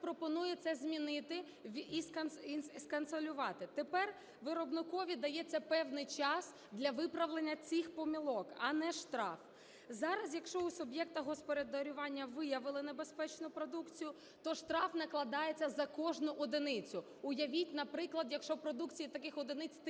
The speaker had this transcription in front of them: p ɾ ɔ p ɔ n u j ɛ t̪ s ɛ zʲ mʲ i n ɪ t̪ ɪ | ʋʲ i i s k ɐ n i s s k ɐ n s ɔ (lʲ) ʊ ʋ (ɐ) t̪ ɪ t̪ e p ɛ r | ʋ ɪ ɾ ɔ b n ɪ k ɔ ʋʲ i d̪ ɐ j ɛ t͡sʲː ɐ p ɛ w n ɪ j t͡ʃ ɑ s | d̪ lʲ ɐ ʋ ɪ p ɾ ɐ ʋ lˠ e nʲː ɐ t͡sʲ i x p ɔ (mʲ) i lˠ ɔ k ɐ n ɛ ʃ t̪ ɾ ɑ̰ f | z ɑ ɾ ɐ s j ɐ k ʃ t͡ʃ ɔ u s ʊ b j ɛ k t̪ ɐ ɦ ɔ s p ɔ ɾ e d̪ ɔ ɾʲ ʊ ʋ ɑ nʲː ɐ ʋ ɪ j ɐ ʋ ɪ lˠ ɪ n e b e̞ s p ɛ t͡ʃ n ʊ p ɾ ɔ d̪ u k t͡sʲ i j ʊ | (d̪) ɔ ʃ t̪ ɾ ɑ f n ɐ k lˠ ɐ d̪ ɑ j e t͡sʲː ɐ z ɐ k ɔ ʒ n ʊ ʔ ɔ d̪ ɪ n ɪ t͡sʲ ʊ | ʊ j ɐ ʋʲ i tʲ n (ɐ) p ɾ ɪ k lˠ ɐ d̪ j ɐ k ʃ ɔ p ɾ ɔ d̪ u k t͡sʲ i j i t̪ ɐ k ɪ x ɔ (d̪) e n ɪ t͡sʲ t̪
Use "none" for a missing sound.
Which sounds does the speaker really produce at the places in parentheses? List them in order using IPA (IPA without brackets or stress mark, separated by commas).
lʲ, ɑ, mʲ, t̪, ɐ, d̪